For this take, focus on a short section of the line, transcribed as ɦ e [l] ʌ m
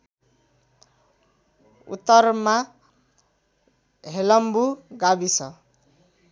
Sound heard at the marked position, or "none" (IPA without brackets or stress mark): l